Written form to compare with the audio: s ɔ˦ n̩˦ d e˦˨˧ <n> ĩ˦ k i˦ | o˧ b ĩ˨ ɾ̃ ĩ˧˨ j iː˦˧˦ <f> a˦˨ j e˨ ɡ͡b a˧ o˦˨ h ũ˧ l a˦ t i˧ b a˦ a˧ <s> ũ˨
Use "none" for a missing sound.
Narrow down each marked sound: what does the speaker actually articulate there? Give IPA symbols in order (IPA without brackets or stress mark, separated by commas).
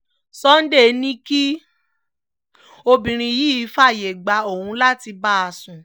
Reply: n, f, s